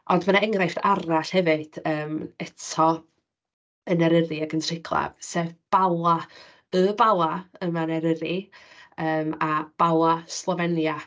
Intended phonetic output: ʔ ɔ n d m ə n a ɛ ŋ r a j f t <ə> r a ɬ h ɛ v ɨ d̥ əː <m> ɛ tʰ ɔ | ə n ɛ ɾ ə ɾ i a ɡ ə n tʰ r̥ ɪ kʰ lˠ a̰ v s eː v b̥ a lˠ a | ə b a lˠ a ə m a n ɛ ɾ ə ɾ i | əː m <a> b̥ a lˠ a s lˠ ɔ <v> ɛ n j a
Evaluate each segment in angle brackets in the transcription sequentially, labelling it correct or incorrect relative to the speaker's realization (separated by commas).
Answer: incorrect, correct, correct, correct